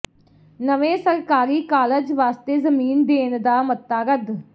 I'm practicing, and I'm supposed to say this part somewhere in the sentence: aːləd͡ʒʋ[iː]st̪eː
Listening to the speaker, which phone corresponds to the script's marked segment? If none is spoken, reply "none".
aː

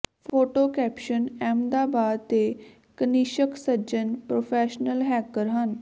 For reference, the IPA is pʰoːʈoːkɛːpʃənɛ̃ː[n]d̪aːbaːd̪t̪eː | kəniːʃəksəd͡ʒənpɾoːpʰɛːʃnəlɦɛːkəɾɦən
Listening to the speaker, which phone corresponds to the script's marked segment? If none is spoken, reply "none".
m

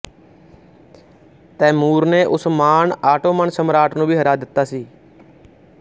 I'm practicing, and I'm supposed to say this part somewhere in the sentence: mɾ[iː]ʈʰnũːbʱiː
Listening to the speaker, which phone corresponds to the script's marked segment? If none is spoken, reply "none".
aː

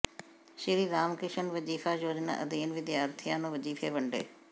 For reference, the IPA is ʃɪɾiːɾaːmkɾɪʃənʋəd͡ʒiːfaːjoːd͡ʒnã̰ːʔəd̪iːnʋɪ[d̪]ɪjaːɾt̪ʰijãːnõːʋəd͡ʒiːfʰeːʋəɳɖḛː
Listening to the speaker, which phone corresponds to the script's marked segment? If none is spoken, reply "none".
d̪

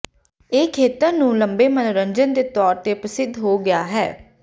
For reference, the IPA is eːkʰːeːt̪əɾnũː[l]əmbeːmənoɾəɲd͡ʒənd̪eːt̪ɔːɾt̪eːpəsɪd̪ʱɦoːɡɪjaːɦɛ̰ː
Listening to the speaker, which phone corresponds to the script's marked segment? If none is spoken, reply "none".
l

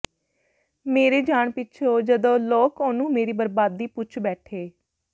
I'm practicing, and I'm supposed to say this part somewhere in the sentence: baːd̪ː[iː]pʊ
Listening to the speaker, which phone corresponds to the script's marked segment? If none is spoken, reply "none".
iː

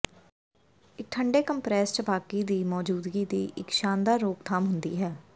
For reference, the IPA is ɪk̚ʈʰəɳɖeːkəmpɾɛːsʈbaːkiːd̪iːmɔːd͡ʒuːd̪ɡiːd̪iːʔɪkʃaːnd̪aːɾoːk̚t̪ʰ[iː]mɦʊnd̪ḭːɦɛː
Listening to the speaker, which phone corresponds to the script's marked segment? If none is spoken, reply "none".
aː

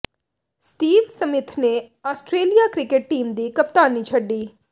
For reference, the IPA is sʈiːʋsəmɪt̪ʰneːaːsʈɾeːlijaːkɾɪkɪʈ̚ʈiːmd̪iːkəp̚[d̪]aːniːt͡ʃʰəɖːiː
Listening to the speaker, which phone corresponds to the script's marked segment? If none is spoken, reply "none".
t̪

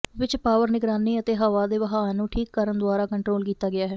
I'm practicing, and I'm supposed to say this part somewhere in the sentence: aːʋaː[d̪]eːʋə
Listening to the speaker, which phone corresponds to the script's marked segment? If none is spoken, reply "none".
d̪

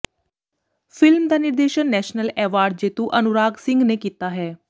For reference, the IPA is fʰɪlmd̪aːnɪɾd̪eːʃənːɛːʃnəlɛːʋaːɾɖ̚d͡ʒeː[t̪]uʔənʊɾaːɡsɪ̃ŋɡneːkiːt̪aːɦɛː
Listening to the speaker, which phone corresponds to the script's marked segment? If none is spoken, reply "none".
t̪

